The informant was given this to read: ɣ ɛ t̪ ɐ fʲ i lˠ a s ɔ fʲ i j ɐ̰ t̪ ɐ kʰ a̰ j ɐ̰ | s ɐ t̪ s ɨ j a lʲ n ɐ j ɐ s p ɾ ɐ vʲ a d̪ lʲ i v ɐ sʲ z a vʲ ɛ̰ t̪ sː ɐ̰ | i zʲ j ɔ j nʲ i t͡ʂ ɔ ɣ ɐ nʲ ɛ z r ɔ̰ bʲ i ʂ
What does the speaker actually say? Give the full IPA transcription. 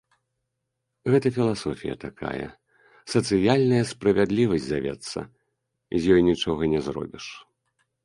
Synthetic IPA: ɣ ɛ t̪ ɐ fʲ i lˠ a s ɔ fʲ i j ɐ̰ t̪ a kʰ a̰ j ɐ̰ | s ɐ t̪ s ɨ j a lʲ n ɐ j ɐ s p ɾ ɐ vʲ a d̪ lʲ i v ɐ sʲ z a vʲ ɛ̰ t̪ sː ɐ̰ | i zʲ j ɔ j nʲ i t͡ʂ ɔ ɣ ɐ nʲ ɛ z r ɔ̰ bʲ i ʂ